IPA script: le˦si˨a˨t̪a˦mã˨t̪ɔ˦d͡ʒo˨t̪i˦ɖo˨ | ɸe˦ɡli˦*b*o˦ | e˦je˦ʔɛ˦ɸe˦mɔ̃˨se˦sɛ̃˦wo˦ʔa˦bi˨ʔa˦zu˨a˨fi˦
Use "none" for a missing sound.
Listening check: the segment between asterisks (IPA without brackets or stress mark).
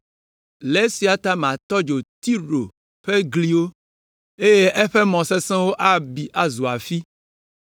w